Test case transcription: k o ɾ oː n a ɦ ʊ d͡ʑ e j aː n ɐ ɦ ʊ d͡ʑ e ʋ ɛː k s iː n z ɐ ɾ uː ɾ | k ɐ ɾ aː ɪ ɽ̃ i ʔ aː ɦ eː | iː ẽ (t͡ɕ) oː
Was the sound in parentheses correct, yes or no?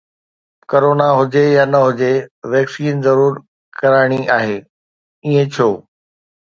no